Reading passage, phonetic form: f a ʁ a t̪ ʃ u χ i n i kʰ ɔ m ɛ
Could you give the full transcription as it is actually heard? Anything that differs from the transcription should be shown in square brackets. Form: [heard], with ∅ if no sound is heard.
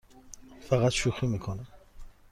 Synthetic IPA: f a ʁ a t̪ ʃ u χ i [m] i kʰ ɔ [n] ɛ